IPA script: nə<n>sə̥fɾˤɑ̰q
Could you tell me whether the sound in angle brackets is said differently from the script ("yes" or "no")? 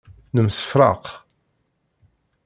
yes